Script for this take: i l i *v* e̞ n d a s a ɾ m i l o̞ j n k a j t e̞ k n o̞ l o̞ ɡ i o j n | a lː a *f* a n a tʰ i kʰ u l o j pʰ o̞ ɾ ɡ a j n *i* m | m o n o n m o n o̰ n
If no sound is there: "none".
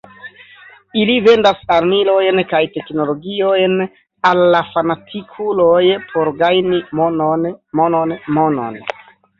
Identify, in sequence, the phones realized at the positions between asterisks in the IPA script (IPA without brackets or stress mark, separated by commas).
v, f, i